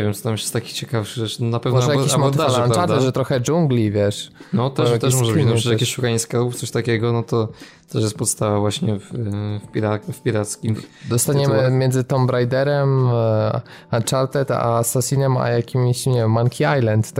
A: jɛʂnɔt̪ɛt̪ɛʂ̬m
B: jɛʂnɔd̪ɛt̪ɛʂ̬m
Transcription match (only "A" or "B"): A